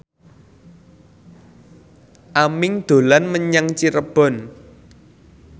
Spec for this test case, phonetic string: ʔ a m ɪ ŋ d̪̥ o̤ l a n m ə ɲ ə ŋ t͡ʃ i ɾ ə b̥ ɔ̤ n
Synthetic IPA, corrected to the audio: ʔ a m ɪ ŋ d̪̥ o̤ l a n m ə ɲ a ŋ t͡ʃ i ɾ ə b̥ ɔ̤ n